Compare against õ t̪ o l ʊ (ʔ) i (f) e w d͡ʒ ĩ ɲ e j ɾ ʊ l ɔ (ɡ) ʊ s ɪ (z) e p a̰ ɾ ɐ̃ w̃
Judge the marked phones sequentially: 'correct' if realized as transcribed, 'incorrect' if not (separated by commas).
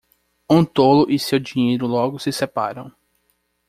correct, incorrect, correct, incorrect